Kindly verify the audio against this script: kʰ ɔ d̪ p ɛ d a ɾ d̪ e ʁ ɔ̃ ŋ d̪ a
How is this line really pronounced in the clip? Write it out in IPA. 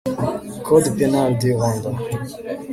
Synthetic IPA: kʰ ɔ d̪ p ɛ n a l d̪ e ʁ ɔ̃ n d̪ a